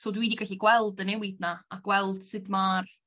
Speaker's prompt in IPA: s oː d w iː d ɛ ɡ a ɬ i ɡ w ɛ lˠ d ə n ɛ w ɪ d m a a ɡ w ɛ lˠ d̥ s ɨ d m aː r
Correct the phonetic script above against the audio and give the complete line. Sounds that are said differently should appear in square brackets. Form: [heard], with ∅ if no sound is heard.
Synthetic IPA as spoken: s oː d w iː d [i] ɡ a ɬ i ɡ w ɛ lˠ d ə n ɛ w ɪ d [n] a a ɡ w ɛ lˠ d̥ s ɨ d m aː r